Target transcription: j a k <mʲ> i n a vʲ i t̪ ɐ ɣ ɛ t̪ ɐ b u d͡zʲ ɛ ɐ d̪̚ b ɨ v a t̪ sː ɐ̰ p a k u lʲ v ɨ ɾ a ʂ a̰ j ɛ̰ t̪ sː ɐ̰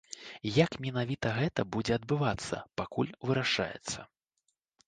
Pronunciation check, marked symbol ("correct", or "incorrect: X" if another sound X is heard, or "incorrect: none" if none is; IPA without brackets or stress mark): correct